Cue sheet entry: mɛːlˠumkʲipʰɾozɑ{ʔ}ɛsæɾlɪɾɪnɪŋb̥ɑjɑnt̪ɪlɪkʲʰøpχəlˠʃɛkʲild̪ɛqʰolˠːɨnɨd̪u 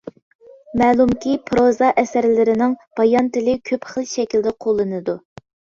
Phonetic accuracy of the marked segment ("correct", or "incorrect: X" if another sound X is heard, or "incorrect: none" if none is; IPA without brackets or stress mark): correct